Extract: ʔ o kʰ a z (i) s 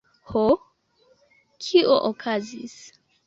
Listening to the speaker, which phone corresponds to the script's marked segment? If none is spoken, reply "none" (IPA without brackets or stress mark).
i